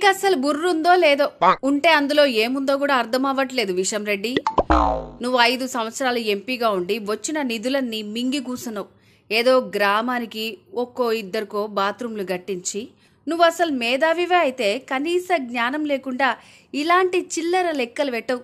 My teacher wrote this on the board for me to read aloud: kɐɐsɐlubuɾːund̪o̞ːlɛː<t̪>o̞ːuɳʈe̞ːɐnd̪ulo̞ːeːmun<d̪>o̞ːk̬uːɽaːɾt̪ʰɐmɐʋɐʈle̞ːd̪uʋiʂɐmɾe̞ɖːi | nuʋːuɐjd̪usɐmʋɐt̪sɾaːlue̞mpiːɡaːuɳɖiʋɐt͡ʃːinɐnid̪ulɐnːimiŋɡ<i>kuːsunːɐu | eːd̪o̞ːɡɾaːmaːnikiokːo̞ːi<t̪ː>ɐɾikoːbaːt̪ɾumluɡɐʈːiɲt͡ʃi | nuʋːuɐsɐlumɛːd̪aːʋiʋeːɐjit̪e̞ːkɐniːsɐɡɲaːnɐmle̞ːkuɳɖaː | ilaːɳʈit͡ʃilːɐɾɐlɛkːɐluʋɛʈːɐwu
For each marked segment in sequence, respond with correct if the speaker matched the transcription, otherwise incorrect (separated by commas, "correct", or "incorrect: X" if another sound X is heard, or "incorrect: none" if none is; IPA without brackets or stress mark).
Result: incorrect: d̪, correct, correct, incorrect: d̪ː